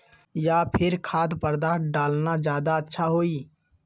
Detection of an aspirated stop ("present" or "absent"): present